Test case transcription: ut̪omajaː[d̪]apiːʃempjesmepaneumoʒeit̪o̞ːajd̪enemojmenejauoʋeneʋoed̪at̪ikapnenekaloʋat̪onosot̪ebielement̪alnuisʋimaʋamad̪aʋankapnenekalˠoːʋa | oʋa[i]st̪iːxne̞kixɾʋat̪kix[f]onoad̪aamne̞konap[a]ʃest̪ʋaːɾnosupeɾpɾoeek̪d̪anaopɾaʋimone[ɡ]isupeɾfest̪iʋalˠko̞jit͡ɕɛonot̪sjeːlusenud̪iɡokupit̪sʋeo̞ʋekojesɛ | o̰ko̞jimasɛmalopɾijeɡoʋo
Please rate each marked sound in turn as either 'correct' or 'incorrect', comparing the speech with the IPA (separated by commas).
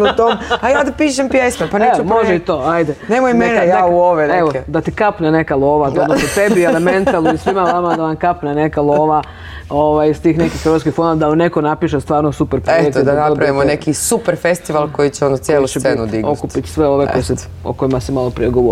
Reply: correct, incorrect, correct, incorrect, incorrect